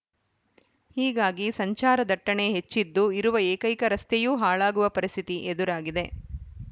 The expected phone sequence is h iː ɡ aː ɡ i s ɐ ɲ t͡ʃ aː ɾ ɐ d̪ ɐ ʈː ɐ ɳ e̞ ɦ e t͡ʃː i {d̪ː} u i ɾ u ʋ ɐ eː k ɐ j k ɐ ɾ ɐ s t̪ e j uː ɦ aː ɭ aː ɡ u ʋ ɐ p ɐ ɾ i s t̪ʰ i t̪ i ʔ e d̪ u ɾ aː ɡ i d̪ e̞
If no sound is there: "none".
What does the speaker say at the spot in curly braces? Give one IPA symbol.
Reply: d̪ː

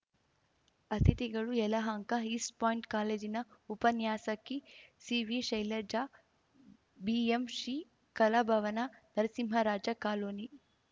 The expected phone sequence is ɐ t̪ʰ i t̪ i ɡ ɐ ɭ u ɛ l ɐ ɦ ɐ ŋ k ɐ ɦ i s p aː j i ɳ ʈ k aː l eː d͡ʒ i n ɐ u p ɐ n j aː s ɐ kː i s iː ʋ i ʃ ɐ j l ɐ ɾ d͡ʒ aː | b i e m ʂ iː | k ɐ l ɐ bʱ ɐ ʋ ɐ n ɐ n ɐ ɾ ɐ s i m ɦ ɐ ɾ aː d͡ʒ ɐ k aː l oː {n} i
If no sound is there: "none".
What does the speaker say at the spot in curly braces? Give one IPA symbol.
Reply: n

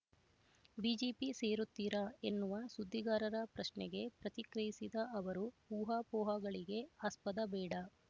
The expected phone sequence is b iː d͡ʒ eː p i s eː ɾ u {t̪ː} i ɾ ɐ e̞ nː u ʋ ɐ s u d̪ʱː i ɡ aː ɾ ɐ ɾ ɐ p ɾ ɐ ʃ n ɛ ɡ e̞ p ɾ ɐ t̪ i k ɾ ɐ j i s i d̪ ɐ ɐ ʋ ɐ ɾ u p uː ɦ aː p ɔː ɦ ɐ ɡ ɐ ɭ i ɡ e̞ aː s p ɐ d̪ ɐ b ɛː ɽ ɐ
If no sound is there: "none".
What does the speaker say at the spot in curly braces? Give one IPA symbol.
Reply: t̪ː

